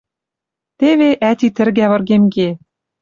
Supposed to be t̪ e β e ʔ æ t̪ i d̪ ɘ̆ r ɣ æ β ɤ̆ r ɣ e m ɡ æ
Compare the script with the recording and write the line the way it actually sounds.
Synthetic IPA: t̪ e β e ʔ æ t̪ i t̪ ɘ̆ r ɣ æ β ɤ̆ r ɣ e m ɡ e